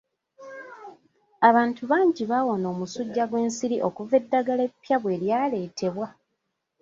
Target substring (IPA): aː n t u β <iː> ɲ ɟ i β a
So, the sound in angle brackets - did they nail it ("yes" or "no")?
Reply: no